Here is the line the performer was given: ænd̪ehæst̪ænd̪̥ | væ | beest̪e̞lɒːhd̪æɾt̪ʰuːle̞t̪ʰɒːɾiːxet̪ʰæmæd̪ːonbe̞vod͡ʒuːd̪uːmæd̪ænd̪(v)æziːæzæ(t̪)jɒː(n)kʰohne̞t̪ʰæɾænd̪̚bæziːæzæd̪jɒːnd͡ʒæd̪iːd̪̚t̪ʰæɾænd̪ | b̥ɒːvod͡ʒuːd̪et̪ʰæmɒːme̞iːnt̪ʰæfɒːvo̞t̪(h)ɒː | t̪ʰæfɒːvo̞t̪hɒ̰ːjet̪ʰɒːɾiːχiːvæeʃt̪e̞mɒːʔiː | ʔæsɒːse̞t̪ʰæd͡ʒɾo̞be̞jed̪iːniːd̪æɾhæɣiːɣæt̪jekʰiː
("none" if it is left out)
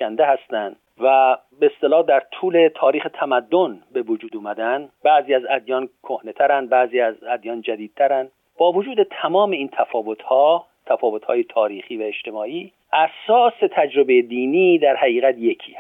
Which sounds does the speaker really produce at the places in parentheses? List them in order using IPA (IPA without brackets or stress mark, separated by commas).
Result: b, d̪, n, h